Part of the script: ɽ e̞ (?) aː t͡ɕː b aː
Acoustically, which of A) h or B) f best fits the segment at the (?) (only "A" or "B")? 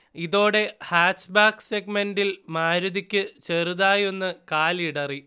A